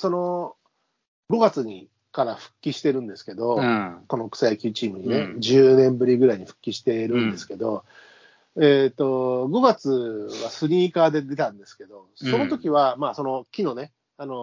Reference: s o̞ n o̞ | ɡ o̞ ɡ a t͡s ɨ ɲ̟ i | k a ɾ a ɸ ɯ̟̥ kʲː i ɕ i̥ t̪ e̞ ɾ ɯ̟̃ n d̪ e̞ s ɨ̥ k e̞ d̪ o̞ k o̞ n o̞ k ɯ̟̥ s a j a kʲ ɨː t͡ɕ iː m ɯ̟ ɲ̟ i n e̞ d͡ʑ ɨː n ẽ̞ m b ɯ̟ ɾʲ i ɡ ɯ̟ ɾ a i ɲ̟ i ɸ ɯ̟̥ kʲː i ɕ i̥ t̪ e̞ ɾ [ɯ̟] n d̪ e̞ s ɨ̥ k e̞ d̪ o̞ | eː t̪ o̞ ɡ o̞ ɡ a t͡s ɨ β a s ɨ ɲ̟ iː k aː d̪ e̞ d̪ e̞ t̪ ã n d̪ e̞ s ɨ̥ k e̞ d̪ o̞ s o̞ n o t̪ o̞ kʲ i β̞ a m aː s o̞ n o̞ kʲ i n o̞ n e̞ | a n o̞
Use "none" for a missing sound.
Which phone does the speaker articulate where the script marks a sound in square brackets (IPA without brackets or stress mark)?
ɯ̟̃